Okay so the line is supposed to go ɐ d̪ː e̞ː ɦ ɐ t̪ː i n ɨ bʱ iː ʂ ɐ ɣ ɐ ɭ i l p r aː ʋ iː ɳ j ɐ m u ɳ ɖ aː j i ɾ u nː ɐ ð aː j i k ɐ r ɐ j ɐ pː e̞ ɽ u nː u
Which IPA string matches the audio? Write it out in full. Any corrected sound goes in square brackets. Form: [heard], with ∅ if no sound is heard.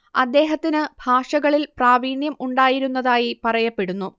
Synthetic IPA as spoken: ɐ d̪ː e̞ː ɦ ɐ t̪ː i n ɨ bʱ [aː] ʂ ɐ ɣ ɐ ɭ i l p r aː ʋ iː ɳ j ɐ m u ɳ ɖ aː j i ɾ u nː ɐ ð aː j i [p] ɐ r ɐ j ɐ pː e̞ ɽ u nː u

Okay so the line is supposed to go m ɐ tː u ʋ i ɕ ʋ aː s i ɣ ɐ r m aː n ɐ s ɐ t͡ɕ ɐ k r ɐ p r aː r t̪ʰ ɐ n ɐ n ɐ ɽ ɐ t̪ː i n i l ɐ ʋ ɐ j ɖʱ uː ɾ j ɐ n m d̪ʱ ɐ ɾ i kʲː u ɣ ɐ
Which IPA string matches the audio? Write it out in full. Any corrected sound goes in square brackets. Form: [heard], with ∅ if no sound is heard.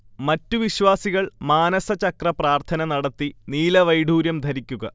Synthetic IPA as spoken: m ɐ tː u ʋ i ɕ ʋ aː s i ɣ ɐ [ɭ] m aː n ɐ s ɐ t͡ɕ ɐ k r ɐ p r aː r t̪ʰ ɐ n ɐ n ɐ ɽ ɐ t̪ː i n [iː] l ɐ ʋ ɐ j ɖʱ uː ɾ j ɐ [∅] m d̪ʱ ɐ ɾ i kʲː u ɣ ɐ

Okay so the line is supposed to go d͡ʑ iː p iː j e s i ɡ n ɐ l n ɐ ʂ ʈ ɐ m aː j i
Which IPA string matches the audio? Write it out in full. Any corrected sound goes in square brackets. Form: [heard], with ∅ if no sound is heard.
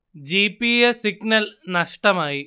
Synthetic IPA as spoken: d͡ʑ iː p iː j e s i ɡ n ɐ l n ɐ ʂ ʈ ɐ m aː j i

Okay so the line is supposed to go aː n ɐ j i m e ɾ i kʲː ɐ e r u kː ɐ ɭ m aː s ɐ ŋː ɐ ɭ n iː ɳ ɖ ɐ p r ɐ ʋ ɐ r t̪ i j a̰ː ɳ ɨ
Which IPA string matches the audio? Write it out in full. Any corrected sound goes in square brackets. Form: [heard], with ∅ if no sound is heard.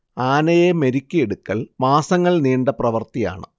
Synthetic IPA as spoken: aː n ɐ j [e] m e ɾ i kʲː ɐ e [ɽ] u kː ɐ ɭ m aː s ɐ ŋː ɐ ɭ n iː ɳ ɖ ɐ p r ɐ ʋ ɐ r t̪ i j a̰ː ɳ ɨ

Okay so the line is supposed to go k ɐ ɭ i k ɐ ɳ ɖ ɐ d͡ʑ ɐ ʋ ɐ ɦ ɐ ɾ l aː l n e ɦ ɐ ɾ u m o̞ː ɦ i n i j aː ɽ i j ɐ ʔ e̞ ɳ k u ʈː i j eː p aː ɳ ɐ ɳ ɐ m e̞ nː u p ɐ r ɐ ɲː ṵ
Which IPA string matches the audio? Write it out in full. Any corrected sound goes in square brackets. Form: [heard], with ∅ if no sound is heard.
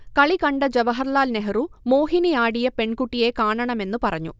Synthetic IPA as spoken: k ɐ ɭ i k ɐ ɳ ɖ ɐ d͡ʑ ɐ ʋ ɐ ɦ ɐ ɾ l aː l n e ɦ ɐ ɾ u m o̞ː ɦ i n i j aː ɽ i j ɐ [p] e̞ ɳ k u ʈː i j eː [k] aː ɳ ɐ ɳ ɐ m e̞ nː u p ɐ r ɐ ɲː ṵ

